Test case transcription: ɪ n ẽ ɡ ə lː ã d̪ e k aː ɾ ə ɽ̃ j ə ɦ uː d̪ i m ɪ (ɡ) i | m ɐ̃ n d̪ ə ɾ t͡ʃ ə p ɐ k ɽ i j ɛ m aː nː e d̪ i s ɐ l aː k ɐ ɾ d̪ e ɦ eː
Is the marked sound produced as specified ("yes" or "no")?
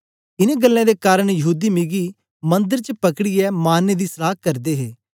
yes